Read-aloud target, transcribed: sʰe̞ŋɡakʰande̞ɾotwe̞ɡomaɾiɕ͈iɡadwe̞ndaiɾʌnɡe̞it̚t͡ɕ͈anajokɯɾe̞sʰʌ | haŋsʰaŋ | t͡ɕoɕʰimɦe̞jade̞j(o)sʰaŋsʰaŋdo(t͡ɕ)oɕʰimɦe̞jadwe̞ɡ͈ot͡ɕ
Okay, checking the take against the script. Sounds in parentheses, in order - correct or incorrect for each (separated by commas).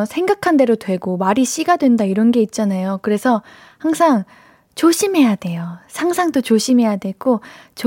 correct, correct